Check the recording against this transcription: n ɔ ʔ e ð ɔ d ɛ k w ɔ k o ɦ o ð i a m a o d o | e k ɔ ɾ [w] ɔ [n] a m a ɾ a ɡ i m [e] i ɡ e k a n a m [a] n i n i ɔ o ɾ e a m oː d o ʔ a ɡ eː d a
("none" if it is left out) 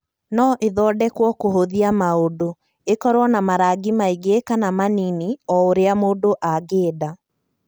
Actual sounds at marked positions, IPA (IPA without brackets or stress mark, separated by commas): w, n, a, a